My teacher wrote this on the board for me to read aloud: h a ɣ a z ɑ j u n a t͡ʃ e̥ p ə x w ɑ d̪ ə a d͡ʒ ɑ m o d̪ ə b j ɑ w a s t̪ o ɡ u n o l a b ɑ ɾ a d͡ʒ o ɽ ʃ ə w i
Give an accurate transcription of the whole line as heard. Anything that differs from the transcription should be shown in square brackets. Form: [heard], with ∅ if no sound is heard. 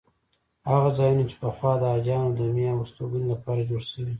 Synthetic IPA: h a ɣ a z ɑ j u n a t͡ʃ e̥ p ə x w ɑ d̪ ə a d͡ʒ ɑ [n] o d̪ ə [m] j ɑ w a s t̪ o ɡ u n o l a [p] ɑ ɾ a d͡ʒ o ɽ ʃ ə w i